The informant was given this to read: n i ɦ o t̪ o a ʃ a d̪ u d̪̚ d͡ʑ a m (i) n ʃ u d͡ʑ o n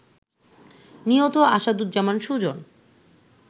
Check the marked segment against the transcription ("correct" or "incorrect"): incorrect